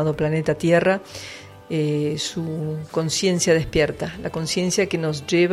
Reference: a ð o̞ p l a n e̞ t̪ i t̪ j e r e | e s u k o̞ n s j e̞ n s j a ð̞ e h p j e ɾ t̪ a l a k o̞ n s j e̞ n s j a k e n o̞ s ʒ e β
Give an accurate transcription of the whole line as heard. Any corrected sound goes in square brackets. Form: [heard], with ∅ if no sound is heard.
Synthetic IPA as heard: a ð o̞ p l a n e̞ t̪ [a] t̪ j e r [a] | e s u k o̞ n s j e̞ n s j a ð̞ e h p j e ɾ t̪ a l a k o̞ n s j e̞ n s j a k e n o̞ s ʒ e β